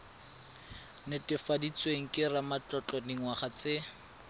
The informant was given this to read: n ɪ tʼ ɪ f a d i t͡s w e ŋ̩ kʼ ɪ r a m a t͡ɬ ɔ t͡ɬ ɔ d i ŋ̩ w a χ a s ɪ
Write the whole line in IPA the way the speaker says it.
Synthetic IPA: n ɪ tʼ ɪ f a d i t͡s w e ŋ̩ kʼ ɪ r a m a t͡ɬ ɔ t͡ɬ ɔ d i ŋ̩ w a χ a t͡s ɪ